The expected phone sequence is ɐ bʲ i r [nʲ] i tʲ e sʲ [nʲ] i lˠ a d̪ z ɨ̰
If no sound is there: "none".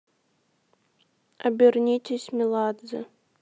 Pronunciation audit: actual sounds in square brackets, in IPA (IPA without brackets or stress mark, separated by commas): nʲ, mʲ